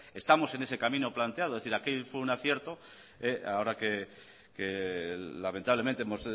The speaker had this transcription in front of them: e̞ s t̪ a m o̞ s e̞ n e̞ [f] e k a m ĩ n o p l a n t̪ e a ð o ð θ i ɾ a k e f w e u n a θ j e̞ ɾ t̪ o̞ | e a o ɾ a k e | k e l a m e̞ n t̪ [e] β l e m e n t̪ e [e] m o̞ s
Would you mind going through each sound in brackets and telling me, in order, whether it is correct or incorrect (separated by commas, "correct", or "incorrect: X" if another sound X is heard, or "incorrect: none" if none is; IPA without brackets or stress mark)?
incorrect: s, incorrect: a, correct